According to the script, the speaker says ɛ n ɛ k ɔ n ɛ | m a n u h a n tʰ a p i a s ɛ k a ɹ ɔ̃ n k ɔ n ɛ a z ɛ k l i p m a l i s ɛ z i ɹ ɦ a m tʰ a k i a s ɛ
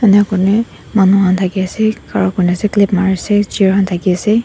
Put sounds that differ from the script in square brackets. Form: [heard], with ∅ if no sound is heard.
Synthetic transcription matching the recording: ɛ n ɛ k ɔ n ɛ | m a n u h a n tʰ a [k] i a s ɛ k a ɹ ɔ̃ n k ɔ n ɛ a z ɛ k l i p m a [ɹ] i s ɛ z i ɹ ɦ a [n] tʰ a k i a s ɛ